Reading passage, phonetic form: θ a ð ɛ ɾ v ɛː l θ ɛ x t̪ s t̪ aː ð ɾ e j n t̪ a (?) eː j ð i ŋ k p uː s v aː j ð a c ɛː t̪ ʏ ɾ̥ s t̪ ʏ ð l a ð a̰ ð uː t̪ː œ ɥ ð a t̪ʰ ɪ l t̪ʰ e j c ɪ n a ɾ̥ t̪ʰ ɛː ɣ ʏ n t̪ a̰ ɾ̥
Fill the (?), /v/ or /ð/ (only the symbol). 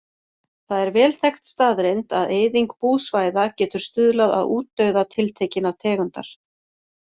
ð